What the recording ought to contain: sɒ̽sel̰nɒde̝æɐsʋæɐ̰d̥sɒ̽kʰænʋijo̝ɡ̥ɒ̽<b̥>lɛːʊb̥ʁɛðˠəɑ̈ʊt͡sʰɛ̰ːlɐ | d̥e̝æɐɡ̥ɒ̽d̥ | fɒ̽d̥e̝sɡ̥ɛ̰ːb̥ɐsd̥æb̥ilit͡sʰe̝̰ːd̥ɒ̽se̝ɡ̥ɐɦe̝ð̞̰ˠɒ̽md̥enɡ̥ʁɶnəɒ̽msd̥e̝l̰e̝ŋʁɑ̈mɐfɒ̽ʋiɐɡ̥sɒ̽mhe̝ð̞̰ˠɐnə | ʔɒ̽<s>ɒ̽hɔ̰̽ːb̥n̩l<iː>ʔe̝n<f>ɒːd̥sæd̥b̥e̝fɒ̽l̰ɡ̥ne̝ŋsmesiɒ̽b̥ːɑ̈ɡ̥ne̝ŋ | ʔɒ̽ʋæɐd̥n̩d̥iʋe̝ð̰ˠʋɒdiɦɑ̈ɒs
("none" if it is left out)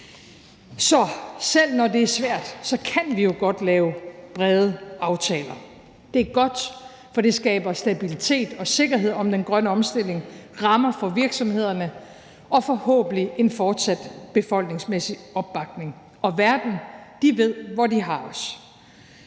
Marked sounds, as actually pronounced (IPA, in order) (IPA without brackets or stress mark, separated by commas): d̥, f, i, f